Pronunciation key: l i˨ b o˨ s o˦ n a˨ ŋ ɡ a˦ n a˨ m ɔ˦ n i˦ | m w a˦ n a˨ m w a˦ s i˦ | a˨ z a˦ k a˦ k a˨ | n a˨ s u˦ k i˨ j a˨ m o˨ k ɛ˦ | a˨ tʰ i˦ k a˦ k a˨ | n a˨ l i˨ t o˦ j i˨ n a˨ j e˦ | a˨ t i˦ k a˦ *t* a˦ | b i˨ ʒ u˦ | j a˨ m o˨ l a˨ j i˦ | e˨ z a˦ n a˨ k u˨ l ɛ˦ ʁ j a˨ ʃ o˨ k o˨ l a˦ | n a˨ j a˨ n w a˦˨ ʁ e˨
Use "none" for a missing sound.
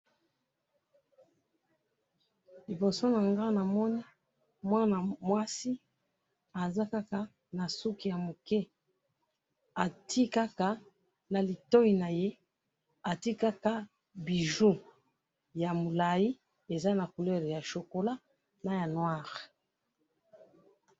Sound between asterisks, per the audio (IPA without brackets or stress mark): k